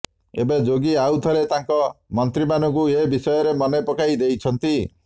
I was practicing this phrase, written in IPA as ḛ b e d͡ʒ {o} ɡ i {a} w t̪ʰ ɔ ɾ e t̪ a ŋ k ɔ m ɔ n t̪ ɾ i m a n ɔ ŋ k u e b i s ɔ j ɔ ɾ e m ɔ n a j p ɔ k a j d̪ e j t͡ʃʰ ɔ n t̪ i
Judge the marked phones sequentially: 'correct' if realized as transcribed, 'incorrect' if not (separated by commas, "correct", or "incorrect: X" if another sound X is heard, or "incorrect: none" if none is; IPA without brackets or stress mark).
correct, correct